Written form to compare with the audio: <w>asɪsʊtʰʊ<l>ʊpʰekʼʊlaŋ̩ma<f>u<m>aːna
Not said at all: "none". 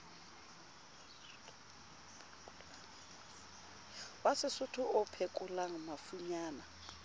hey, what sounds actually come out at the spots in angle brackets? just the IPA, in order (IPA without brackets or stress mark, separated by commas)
w, none, f, ɲ